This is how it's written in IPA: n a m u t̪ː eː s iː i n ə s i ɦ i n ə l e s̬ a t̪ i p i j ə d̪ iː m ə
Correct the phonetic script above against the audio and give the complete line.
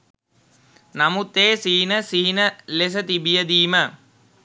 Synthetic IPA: n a m u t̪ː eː s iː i n ə s i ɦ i n ə l e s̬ ə t̪ i b i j ə d̪ iː m ə